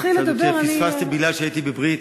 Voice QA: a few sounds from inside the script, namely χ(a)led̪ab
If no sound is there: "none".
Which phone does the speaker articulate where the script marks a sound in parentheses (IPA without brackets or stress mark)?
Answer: i